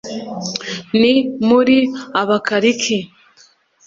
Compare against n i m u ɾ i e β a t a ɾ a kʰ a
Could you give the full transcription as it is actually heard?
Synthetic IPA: n i m u ɾ i a β a k a ɾ i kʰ i